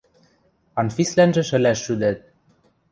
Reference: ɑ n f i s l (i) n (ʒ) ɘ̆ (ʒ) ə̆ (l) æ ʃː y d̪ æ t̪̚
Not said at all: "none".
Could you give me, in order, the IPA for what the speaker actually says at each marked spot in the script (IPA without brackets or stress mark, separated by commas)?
æ, ʒ, ʃ, l